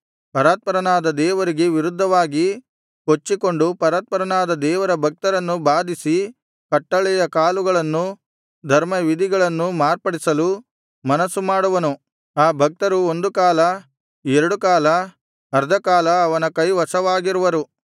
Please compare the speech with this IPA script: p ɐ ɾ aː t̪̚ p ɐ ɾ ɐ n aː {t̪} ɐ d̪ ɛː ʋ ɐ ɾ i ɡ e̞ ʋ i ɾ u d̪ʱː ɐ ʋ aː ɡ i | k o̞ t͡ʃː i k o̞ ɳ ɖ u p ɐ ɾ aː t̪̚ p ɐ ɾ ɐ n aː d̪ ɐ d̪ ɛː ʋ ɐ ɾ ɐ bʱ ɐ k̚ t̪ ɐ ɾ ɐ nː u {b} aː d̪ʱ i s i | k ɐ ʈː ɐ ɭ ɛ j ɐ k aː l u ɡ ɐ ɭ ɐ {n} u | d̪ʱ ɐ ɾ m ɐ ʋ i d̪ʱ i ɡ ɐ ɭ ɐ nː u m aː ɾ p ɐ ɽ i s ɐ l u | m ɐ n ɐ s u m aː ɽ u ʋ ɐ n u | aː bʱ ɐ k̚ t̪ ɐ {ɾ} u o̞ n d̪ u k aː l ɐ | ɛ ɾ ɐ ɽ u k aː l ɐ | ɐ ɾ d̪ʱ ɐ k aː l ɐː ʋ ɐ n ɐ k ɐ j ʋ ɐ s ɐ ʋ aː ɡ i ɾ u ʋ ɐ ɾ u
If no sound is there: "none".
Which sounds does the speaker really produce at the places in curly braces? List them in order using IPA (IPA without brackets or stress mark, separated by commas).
d̪, b, nː, ɾ